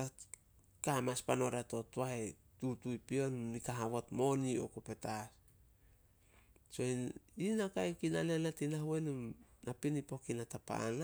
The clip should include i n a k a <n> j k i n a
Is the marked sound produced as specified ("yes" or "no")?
no